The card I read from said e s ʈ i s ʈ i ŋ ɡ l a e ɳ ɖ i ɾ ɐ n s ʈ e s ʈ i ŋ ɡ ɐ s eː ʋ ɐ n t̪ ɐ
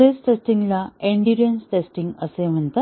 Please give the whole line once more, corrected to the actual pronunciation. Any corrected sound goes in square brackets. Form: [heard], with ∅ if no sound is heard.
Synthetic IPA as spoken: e s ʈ [e] s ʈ i ŋ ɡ l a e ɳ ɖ i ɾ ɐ n s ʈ e s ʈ i ŋ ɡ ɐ s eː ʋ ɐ n t̪ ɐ